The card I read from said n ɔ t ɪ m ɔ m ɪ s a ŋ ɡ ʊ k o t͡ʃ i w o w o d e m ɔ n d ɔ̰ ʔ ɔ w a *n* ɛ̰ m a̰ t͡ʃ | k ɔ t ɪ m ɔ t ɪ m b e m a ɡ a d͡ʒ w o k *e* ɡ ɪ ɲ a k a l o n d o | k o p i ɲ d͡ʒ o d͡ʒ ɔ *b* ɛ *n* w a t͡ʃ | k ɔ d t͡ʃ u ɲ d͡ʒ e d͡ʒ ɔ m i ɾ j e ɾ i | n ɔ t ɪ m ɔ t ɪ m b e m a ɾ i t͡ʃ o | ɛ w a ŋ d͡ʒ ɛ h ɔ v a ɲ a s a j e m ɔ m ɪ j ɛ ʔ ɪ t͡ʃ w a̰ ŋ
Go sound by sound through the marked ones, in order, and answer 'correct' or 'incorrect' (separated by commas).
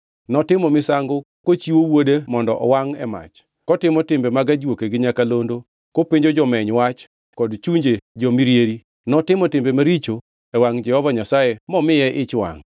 incorrect, correct, incorrect, incorrect